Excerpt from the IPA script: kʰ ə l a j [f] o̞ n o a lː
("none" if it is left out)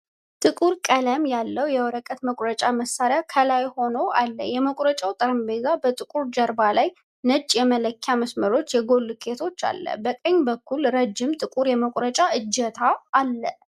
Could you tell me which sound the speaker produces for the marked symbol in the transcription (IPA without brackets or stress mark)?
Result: h